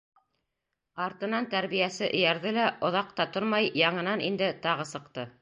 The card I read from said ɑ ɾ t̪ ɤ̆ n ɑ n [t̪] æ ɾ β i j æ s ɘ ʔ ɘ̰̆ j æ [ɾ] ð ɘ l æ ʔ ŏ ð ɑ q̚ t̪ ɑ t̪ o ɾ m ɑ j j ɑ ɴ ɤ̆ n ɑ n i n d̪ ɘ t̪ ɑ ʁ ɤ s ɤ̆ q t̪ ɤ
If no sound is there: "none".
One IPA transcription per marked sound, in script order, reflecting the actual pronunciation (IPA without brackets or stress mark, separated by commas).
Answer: t̪, ɾ